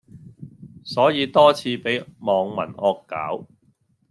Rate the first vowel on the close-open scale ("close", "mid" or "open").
mid